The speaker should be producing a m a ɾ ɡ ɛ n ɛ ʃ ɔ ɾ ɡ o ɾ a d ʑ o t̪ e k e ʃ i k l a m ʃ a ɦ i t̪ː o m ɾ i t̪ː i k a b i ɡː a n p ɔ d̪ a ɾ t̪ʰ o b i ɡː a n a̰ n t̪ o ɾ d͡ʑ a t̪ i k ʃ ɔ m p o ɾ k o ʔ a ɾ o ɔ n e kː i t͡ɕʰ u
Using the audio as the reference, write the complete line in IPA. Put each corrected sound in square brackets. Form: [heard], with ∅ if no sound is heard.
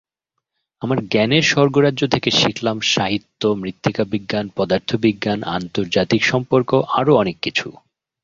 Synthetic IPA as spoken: a m a ɾ ɡ ɛ n [e] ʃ ɔ ɾ ɡ o ɾ a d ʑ o [t̪ʰ] e k e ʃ i k l a m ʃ a ɦ i t̪ː o m ɾ i t̪ː i k a b i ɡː a n p ɔ d̪ a ɾ t̪ʰ o b i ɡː a n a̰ n t̪ o ɾ d͡ʑ a t̪ i k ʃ ɔ m p o ɾ k o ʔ a ɾ o ɔ n e kː i t͡ɕʰ u